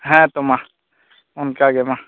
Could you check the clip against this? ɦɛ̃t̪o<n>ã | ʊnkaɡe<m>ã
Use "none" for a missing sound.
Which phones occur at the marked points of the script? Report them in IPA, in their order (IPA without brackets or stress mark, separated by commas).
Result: m, m